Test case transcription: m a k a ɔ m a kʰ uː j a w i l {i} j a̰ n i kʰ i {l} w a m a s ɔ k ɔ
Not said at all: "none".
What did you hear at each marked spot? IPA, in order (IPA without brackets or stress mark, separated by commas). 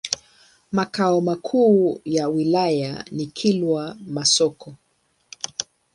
a, l